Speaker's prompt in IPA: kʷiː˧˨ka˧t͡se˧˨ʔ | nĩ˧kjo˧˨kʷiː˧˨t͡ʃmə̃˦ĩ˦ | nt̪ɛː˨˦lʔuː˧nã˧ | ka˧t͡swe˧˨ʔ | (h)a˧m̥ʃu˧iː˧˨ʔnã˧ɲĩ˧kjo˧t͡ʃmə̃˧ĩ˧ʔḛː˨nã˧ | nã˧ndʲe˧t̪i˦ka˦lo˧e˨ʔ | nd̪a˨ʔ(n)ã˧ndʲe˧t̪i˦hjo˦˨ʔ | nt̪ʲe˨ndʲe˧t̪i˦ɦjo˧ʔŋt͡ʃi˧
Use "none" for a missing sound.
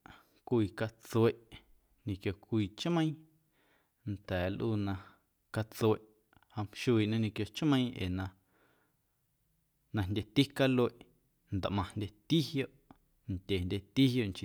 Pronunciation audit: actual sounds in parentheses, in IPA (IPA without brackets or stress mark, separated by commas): h, m